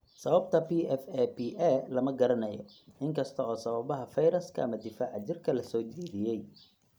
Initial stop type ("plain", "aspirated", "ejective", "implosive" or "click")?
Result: plain